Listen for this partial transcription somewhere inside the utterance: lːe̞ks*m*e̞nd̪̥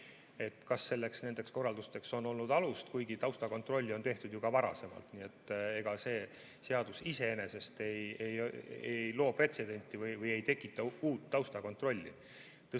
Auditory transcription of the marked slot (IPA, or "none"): n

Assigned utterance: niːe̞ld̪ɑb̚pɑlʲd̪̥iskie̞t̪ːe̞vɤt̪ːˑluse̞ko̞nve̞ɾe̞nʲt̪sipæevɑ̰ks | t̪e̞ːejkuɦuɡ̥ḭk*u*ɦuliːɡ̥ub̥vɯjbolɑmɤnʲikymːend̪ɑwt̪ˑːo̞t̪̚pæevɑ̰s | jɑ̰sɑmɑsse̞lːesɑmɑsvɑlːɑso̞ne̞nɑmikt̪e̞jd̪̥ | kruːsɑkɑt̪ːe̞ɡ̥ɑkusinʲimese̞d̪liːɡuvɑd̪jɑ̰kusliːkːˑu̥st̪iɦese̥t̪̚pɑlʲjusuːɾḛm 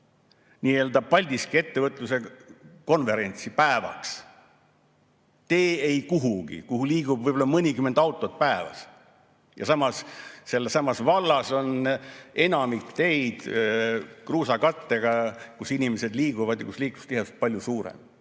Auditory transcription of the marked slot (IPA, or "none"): u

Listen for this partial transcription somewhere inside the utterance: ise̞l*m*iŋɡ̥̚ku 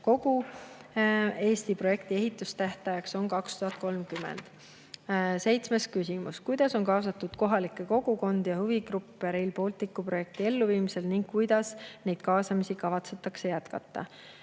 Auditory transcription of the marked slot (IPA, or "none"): n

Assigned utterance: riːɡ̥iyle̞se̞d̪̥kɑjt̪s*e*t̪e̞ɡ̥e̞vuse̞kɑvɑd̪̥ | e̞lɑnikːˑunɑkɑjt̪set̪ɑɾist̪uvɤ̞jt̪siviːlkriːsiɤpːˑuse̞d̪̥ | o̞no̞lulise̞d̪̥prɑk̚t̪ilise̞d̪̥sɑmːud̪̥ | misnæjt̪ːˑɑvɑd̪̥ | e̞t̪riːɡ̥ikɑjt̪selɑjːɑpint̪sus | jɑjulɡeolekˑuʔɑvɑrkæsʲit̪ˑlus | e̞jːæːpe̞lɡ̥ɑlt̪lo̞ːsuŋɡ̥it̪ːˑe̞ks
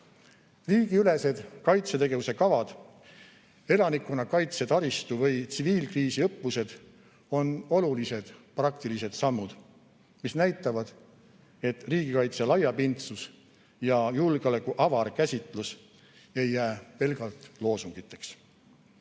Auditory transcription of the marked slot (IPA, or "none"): e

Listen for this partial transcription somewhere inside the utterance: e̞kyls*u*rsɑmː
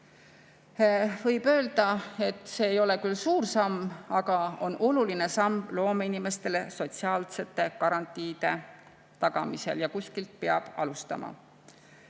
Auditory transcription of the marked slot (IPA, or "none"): uː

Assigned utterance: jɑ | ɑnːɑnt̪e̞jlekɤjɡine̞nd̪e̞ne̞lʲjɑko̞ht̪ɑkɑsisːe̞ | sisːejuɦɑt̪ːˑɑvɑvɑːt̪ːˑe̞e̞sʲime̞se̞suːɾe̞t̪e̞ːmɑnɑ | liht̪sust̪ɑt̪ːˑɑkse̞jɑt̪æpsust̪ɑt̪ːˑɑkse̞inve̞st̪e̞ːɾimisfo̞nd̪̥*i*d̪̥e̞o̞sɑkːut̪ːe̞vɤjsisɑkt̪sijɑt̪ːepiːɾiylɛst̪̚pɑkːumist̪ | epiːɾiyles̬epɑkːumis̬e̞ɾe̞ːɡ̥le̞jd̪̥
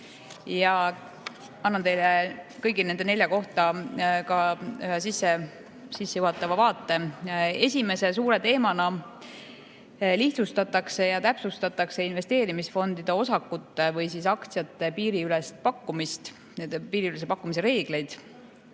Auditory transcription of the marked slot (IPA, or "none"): i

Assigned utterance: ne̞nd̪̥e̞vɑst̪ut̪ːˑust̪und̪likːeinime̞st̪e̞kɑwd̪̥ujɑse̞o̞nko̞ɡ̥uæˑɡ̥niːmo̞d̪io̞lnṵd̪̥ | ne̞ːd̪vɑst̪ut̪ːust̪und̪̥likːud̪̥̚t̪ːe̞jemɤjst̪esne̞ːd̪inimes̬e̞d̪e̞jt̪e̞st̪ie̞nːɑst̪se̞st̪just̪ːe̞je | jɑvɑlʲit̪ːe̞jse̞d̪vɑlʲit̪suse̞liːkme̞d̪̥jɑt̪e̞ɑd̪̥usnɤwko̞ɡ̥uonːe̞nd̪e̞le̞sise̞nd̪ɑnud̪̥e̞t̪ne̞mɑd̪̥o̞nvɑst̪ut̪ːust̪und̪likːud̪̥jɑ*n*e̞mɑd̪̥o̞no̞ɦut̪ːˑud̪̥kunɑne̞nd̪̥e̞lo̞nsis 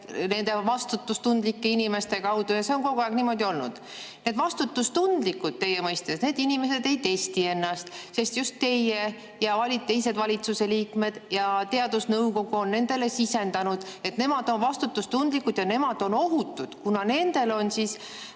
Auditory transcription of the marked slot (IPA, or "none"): n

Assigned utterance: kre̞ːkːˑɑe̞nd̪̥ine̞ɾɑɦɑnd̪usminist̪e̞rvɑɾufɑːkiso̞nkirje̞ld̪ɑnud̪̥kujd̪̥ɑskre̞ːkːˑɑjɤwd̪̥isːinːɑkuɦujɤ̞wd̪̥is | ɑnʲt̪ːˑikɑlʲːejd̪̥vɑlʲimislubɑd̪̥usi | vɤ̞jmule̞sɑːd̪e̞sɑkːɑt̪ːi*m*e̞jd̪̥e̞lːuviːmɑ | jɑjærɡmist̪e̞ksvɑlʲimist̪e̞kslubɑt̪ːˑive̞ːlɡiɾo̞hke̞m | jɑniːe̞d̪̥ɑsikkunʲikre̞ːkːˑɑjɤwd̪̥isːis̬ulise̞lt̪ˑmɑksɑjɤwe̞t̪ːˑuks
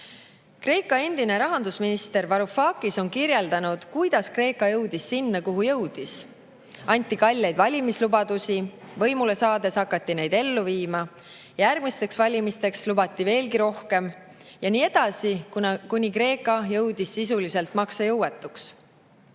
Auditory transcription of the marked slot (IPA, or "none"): n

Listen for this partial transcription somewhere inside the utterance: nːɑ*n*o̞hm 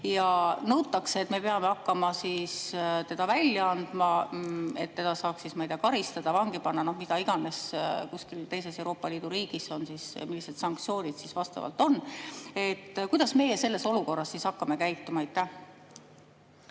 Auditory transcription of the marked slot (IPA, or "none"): n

